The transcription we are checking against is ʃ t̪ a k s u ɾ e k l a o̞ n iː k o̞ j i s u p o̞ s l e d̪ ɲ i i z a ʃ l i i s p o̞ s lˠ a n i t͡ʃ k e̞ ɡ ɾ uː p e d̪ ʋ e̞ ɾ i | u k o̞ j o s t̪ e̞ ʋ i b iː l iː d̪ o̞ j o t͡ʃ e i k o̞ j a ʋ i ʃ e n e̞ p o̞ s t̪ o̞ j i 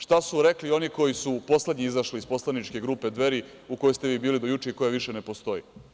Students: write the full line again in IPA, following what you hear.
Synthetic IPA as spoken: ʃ t̪ a s u ɾ e k l i o̞ n i k o̞ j i s u p o̞ s l e d̪ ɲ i i z a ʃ l i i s p o̞ s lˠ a n i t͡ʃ k e̞ ɡ ɾ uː p e d̪ ʋ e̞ ɾ i | u k o̞ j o s t̪ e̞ ʋ iː b iː l i d̪ o̞ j u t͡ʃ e i k o̞ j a ʋ i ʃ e n e̞ p o̞ s t̪ o̞ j i